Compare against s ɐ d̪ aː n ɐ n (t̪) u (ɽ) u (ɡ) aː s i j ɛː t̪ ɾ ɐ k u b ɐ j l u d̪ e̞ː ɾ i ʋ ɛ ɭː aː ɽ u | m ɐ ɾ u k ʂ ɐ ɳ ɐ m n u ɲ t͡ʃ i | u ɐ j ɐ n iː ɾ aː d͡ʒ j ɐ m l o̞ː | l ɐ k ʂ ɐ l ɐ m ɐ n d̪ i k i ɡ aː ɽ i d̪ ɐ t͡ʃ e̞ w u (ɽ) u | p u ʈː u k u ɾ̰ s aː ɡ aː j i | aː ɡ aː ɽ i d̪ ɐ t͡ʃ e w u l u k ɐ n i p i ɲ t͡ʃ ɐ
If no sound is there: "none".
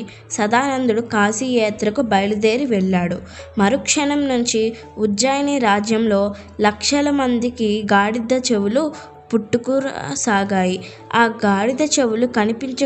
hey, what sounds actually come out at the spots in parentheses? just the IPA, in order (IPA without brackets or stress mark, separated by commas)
d̪, ɽ, k, l